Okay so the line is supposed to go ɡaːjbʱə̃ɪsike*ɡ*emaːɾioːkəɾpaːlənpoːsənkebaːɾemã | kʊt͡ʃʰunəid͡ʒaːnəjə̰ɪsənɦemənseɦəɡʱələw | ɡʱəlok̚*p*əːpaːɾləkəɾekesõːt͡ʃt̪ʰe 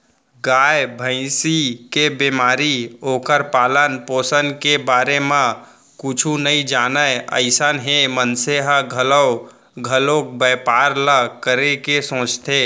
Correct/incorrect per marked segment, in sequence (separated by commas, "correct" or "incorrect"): incorrect, incorrect